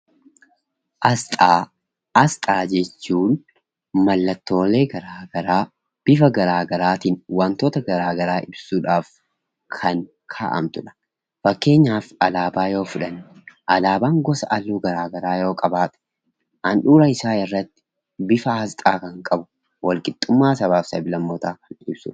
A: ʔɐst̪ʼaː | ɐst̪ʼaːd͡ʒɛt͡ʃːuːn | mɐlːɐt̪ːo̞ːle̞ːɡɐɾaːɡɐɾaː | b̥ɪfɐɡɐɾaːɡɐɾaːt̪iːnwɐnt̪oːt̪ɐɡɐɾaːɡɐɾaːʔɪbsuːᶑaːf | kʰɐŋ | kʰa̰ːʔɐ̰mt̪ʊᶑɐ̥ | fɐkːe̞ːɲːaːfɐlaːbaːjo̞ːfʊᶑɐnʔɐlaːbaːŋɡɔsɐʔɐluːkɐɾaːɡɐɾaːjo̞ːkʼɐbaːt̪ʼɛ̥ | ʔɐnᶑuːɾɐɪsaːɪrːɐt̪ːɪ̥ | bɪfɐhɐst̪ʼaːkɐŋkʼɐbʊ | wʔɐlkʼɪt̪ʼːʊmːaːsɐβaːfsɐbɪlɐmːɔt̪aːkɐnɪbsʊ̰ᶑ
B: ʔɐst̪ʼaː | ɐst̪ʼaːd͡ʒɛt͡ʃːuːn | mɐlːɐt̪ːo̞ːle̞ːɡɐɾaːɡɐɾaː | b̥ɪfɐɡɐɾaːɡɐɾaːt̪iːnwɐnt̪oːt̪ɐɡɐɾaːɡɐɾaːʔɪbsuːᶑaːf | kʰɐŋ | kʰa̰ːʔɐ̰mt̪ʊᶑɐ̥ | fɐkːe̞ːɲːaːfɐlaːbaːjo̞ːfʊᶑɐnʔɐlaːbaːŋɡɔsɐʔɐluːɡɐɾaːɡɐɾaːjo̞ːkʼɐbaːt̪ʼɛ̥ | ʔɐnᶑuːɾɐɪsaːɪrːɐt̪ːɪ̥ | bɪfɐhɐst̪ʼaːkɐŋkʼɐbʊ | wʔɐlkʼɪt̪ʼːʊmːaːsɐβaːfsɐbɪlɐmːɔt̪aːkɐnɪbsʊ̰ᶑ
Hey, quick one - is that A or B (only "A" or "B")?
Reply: B